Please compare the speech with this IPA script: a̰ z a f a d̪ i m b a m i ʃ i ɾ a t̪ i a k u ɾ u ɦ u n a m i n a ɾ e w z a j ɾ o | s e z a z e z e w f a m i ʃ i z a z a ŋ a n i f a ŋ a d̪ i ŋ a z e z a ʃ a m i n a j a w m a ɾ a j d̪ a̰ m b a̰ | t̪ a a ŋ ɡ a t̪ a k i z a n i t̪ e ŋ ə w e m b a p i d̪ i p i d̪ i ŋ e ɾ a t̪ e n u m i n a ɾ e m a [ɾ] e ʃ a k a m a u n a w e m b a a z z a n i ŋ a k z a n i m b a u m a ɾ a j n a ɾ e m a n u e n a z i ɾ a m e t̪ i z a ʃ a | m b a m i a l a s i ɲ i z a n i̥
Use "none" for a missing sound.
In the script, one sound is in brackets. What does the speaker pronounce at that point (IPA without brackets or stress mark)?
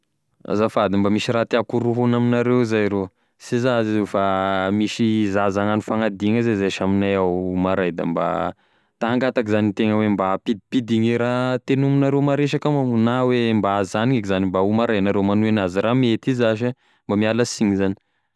ɾ